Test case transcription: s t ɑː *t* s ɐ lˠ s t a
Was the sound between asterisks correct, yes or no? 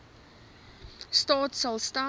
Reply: yes